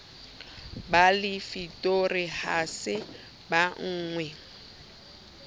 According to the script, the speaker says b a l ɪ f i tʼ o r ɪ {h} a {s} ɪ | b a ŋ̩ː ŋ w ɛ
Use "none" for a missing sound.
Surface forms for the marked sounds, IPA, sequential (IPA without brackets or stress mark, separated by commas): h, s